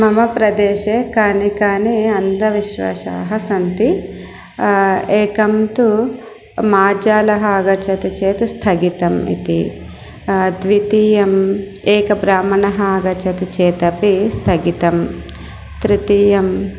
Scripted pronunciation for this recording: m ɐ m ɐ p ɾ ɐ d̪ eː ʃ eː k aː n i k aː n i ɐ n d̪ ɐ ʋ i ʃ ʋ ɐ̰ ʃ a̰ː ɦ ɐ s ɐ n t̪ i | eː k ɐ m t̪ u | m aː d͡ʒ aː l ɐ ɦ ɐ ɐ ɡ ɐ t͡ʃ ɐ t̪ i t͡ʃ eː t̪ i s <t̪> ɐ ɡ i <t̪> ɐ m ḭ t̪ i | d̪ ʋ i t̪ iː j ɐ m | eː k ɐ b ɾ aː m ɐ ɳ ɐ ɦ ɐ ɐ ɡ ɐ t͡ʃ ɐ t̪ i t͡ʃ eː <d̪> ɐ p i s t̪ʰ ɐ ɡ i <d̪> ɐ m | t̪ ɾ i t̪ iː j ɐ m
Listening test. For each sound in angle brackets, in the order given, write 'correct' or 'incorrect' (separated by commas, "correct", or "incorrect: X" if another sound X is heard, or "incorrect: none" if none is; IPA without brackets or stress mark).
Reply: incorrect: t̪ʰ, correct, incorrect: t̪, incorrect: t̪